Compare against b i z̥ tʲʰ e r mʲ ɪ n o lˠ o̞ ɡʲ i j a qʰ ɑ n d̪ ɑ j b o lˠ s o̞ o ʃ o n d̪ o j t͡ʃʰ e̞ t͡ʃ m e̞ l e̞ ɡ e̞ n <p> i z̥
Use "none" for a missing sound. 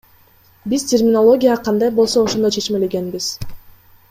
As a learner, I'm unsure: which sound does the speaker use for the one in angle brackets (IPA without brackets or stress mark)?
b